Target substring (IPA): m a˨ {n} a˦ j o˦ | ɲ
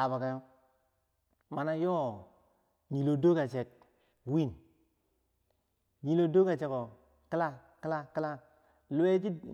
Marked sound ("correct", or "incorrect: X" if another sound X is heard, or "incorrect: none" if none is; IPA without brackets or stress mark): correct